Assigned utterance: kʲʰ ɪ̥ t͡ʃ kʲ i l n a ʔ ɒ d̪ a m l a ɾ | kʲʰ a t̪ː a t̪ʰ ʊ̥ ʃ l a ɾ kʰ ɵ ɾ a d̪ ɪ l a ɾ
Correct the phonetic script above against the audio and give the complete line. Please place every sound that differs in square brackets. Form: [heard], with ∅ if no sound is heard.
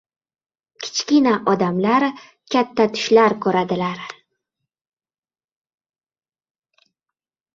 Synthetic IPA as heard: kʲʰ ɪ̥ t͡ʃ kʲ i [∅] n a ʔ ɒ d̪ a m l a ɾ | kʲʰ a t̪ː a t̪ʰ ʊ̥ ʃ l a ɾ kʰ ɵ ɾ a d̪ ɪ l a ɾ